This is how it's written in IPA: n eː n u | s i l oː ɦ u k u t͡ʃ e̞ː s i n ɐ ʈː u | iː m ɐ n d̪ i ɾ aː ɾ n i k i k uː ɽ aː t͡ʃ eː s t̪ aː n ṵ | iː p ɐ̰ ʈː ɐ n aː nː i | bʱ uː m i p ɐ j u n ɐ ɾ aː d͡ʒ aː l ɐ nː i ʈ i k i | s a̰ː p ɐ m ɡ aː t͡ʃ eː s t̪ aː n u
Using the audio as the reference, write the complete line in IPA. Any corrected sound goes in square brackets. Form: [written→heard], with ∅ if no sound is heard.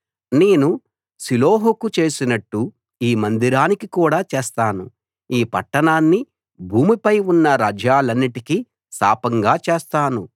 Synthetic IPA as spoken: n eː n u | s i l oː ɦ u k u t͡ʃ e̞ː s i n ɐ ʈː u | iː m ɐ n d̪ i ɾ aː [ɾ→∅] n i k i k uː ɽ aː t͡ʃ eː s t̪ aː n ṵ | iː p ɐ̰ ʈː ɐ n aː nː i | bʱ uː m i p ɐ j u [n→nː] ɐ ɾ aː d͡ʒ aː l ɐ nː i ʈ i k i | s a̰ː p ɐ [m→ŋ] ɡ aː t͡ʃ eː s t̪ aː n u